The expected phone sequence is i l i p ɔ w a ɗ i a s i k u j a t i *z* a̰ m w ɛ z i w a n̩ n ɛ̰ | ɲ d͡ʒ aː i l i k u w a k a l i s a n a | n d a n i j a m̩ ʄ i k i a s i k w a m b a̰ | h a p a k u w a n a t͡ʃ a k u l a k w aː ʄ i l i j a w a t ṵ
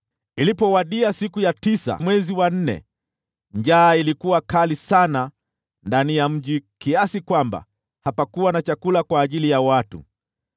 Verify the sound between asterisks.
incorrect: s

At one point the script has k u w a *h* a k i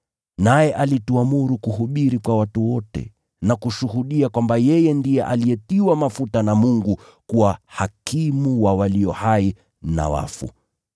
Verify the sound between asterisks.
correct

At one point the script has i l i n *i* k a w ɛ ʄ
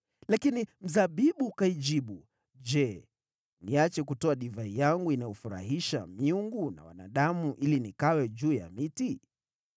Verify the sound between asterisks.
correct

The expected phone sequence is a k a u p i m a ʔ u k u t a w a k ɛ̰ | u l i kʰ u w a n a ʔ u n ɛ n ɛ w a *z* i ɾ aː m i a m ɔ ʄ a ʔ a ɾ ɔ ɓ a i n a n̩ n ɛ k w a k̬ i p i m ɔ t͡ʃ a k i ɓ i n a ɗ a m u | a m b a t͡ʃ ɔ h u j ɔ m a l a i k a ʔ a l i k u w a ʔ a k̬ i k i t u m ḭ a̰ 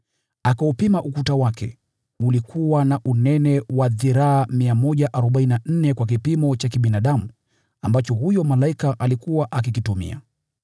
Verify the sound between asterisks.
incorrect: ð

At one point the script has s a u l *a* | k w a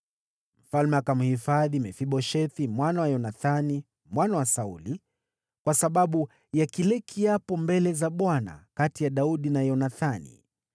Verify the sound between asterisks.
incorrect: i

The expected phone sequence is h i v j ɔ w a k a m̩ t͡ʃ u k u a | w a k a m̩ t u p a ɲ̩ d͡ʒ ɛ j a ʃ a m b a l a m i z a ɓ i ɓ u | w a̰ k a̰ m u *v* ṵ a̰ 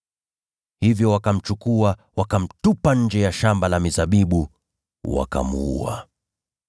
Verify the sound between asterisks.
incorrect: none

